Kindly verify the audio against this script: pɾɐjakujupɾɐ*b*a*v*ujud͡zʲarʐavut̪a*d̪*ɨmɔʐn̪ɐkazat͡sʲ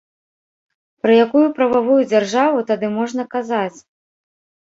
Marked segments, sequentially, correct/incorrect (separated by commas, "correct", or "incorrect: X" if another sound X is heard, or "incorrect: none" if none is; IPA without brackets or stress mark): incorrect: v, correct, correct